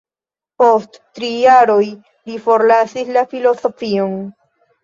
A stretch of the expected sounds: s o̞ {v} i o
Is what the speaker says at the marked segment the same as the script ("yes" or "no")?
no